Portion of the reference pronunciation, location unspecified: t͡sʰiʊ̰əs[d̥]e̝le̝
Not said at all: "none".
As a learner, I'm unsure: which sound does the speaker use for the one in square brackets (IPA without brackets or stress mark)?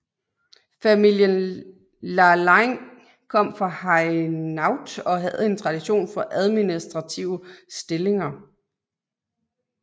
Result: d̥